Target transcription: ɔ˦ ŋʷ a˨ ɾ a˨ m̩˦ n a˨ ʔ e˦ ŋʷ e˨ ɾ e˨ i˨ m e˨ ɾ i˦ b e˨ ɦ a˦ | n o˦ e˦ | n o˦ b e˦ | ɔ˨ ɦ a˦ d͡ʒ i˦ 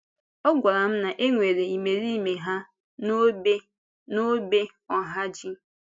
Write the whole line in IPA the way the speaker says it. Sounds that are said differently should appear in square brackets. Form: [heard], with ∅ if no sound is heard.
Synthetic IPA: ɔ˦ [ɡʷ] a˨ ɾ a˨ m̩˦ n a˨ ʔ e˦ ŋʷ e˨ ɾ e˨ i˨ m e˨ ɾ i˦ [m] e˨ ɦ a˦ | n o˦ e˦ | n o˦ b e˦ | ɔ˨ ɦ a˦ d͡ʒ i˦